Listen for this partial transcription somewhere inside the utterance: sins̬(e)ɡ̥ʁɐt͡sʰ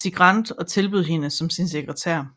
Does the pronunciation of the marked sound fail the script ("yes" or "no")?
no